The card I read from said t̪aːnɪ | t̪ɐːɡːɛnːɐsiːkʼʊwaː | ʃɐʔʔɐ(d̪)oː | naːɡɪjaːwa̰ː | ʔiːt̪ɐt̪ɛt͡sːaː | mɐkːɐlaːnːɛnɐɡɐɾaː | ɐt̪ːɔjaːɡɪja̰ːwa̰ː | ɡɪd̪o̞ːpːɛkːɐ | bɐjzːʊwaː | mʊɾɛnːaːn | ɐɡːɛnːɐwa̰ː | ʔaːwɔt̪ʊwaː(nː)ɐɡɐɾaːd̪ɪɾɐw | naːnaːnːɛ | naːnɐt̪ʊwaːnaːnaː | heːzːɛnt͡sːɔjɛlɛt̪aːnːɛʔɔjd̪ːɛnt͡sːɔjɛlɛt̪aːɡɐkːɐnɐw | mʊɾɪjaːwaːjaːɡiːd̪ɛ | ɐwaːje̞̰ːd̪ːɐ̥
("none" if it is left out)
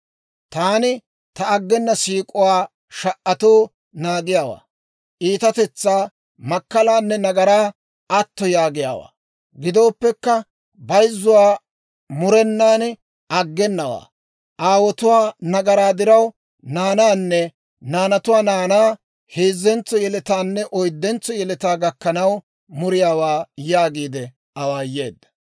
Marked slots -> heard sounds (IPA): t̪, n

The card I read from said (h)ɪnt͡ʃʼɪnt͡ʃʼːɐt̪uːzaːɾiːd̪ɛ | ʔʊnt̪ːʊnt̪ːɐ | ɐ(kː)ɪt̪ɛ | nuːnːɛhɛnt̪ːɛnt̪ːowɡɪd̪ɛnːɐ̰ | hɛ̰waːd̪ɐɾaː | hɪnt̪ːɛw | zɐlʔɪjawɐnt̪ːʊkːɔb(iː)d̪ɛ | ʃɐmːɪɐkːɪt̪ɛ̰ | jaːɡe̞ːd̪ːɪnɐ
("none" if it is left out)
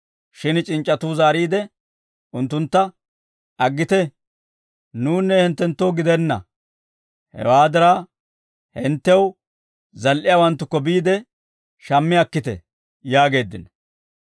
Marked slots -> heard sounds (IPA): ʃ, ɡː, iː

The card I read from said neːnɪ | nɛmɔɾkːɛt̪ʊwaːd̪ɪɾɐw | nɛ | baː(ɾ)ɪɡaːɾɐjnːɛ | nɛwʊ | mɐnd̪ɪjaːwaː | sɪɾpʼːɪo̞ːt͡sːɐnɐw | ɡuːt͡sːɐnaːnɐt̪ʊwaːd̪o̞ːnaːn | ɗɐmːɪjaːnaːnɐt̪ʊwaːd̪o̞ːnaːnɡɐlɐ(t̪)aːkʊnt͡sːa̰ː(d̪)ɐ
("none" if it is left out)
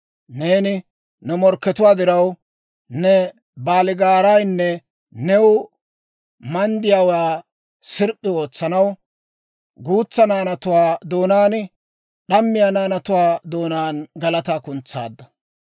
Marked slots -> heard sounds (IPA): l, t̪, d̪ː

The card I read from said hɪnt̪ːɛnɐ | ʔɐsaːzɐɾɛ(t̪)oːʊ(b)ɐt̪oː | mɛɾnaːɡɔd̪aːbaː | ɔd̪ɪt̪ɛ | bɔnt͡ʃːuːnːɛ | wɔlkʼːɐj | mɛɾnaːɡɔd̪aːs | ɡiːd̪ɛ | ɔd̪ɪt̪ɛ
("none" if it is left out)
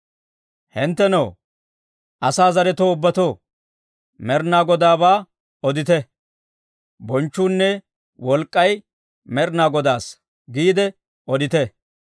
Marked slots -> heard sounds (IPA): t̪, bː

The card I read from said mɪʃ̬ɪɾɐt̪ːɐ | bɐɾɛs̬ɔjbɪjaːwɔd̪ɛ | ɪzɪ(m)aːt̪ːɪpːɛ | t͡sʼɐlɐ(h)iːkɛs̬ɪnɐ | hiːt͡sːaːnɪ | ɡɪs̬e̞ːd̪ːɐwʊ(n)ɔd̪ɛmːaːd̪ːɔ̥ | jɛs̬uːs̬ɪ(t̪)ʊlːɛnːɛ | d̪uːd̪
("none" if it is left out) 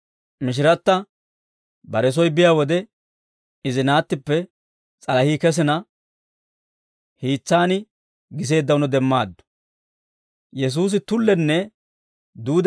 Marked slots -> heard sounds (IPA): n, h, n, t̪

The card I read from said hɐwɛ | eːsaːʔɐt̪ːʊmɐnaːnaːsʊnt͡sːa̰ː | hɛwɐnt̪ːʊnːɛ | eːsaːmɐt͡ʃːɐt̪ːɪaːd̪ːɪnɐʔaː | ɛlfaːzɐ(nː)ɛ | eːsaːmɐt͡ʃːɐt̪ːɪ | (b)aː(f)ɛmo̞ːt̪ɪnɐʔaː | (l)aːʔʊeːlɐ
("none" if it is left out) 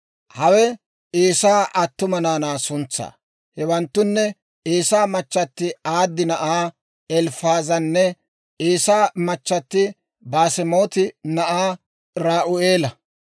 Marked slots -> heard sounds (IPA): nː, b, s, ɾ

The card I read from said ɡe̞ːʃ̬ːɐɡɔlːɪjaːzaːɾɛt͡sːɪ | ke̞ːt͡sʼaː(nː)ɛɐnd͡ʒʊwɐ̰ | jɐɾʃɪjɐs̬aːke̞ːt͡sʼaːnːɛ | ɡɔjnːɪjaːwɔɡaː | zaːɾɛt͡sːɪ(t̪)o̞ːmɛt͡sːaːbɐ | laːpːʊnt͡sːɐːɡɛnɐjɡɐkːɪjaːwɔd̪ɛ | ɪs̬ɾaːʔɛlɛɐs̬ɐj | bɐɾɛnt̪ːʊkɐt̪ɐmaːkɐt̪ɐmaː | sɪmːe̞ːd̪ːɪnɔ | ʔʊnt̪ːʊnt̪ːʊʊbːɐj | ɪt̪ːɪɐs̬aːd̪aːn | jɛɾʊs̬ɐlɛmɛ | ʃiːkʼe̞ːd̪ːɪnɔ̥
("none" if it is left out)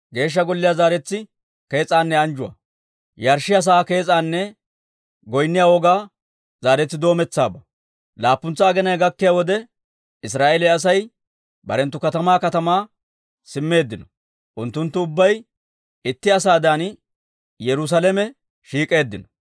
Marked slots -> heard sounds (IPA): nː, d̪

